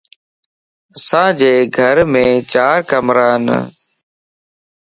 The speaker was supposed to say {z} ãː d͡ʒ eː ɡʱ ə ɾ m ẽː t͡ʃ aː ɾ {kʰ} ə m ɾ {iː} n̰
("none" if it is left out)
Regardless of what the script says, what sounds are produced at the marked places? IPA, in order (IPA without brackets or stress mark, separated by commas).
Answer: s, k, aː